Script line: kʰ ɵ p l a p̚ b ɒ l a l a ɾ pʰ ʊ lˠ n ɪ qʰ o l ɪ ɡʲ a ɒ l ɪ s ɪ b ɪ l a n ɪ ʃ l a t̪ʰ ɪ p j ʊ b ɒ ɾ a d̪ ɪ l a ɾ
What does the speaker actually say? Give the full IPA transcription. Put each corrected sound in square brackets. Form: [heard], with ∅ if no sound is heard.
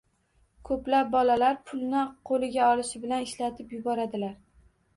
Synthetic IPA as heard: kʰ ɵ p l a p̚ b ɒ l a l a ɾ pʰ ʊ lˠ n ɪ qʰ o l ɪ ɡʲ a ɒ l ɪ [ʃ] ɪ b ɪ l a n ɪ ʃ l a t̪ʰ ɪ p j ʊ b ɒ ɾ a d̪ ɪ l a ɾ